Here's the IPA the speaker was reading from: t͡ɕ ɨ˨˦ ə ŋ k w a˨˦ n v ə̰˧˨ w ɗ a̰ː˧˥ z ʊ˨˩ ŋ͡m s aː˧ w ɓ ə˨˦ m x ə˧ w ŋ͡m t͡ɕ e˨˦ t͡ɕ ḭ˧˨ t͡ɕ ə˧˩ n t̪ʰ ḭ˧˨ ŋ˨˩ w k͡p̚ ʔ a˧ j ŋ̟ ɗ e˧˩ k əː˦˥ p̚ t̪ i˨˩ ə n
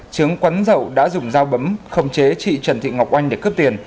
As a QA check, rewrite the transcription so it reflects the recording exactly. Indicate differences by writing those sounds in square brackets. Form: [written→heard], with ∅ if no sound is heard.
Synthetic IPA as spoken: t͡ɕ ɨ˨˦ ə ŋ k w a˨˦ n [v→z] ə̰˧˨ w ɗ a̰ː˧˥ z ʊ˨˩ ŋ͡m [s→z] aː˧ w ɓ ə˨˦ m x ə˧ w ŋ͡m t͡ɕ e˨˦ t͡ɕ ḭ˧˨ t͡ɕ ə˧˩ n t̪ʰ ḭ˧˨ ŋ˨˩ w k͡p̚ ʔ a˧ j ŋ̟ ɗ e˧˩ k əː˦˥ p̚ t̪ i˨˩ ə n

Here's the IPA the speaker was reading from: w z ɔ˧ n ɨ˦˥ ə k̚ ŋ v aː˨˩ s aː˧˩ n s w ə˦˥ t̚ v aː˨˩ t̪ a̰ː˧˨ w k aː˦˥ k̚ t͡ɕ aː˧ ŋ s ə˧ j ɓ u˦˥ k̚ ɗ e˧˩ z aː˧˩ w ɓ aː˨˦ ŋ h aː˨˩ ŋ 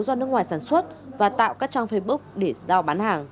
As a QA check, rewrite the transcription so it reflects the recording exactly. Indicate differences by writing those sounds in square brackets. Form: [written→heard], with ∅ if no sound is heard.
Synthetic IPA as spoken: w z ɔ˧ n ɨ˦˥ ə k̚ ŋ [v→w] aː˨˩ s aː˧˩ n s w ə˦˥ t̚ v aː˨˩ t̪ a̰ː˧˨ w k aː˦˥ k̚ t͡ɕ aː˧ ŋ [s→f] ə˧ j ɓ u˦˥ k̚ ɗ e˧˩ z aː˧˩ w ɓ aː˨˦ [ŋ→n] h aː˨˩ ŋ

